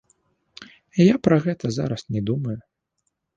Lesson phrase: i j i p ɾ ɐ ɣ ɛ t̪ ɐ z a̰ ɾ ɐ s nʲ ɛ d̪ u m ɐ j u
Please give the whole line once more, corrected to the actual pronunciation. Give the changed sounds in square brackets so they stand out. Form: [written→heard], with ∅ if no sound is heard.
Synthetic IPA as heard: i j [i→a] p ɾ ɐ ɣ ɛ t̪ ɐ z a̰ ɾ ɐ s nʲ ɛ d̪ u m ɐ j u